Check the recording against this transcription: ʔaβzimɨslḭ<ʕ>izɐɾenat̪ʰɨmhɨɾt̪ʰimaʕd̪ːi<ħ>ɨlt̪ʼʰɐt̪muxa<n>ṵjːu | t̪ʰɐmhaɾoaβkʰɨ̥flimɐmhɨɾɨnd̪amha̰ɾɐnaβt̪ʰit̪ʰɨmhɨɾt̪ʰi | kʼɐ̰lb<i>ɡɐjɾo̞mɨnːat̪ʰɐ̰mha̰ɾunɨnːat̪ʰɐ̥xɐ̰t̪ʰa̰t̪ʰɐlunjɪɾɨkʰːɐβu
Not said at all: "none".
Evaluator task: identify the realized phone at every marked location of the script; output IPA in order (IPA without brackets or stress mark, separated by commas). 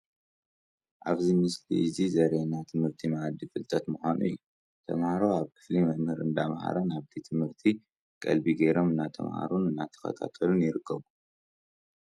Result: z, f, n, i